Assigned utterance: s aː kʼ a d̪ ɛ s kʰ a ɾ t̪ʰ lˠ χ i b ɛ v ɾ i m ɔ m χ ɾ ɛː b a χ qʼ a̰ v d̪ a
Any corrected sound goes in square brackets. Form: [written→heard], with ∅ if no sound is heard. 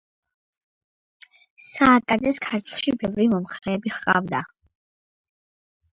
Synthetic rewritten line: s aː kʼ a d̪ ɛ s kʰ a ɾ t̪ʰ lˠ [χ→ʃ] i b ɛ v ɾ i m ɔ m χ ɾ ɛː b [a→i] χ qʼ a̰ v d̪ a